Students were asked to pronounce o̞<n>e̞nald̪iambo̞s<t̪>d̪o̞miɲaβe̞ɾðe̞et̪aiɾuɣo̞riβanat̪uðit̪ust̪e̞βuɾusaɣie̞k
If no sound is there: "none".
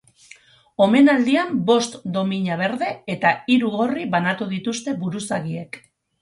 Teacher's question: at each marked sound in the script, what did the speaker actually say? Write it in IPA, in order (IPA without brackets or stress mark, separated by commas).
m, t̪